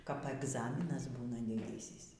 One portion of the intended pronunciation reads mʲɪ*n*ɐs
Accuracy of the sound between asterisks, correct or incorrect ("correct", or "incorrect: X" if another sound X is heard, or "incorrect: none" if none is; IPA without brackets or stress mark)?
correct